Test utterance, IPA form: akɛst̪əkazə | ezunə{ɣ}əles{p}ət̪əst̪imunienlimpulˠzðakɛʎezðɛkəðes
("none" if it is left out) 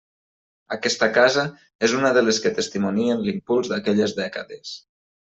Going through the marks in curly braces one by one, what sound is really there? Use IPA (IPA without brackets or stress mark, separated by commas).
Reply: ð, k